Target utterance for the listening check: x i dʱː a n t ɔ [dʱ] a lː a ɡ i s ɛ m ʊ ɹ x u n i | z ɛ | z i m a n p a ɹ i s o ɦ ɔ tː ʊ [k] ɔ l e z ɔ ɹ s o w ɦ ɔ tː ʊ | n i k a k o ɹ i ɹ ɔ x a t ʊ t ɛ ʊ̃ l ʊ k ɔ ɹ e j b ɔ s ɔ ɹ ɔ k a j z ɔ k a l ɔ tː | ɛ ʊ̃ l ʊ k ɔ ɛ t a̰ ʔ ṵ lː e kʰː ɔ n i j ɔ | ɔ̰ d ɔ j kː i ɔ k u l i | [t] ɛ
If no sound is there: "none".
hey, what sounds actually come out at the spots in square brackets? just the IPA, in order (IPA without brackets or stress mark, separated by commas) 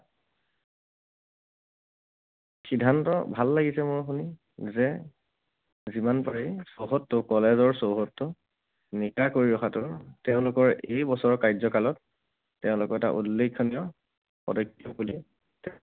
bʱ, k, t